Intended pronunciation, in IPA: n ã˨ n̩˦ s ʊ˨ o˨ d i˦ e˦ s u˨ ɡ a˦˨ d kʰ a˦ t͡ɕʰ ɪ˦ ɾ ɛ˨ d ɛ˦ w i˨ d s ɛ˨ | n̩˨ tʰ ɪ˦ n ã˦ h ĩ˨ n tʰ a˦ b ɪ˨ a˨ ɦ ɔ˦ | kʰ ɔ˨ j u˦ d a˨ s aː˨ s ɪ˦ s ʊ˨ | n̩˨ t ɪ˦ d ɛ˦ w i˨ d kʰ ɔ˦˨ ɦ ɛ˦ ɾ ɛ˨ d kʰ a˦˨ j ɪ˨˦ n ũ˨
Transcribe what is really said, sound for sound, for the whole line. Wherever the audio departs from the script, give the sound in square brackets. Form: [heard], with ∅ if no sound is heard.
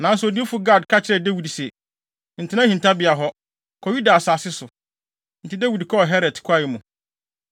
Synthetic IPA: n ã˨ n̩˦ s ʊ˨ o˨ d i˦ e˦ [f] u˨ ɡ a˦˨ d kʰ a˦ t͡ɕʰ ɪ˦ ɾ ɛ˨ d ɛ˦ w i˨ d s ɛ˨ | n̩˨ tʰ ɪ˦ n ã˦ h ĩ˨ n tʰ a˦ b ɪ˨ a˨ ɦ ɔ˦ | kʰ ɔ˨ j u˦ d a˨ s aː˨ s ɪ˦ s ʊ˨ | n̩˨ t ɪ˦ d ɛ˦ w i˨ d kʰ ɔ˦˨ ɦ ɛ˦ ɾ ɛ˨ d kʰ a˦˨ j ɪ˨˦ [m] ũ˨